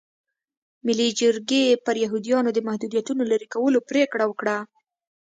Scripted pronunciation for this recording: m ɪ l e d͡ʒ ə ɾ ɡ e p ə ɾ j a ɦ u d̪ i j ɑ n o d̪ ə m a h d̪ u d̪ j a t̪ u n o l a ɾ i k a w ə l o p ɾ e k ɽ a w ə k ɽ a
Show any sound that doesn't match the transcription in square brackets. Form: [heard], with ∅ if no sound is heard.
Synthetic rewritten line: m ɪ l [i] d͡ʒ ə ɾ ɡ e p ə ɾ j a ɦ u d̪ i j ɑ n o d̪ ə m a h d̪ u d̪ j a t̪ u n o l a ɾ i k a w ə l o p ɾ e k ɽ a w ə k ɽ a